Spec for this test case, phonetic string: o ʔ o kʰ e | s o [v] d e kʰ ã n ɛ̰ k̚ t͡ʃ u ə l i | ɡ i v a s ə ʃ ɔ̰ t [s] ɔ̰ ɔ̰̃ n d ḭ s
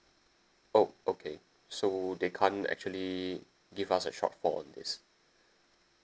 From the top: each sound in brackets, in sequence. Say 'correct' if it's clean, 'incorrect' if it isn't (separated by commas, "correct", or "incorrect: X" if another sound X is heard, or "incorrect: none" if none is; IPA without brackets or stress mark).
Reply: incorrect: none, incorrect: f